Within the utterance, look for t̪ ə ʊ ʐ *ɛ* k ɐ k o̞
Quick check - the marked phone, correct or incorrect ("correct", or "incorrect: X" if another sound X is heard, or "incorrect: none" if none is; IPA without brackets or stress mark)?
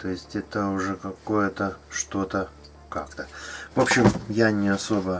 correct